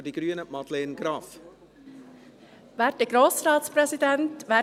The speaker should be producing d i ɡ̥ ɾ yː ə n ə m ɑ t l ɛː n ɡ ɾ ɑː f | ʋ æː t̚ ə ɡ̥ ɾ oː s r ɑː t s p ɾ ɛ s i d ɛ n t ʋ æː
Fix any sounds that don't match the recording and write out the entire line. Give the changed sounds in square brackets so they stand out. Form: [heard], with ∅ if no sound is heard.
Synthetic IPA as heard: d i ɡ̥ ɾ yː ə n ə m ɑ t l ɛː n ɡ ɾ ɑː f | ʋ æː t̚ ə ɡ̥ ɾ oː s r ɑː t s p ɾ ɛ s i d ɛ n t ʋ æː